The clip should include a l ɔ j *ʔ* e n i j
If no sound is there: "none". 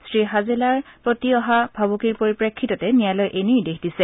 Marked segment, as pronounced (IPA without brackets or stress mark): ʔ